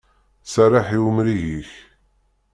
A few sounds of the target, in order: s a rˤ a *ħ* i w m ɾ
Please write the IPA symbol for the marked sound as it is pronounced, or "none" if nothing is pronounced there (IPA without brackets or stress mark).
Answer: ħ